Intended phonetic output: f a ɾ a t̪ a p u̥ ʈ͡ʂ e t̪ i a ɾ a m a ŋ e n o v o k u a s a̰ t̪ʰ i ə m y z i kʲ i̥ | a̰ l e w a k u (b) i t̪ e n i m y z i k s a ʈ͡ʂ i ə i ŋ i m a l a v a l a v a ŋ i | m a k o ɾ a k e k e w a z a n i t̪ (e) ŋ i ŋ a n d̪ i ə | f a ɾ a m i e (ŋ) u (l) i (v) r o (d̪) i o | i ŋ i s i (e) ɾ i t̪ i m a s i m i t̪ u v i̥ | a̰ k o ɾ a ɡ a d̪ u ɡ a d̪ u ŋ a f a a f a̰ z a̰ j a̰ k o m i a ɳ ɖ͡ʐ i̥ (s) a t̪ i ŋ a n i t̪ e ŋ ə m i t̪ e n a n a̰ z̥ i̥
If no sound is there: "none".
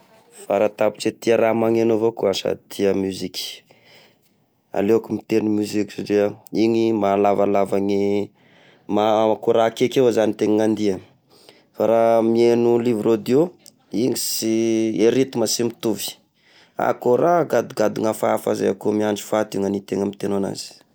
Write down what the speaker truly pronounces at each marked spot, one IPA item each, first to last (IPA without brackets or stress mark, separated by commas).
m, e, n, l, v, d̪, e, f